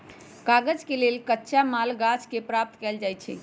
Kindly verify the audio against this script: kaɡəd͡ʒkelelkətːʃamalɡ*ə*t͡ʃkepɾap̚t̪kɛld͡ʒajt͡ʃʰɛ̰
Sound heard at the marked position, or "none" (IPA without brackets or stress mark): a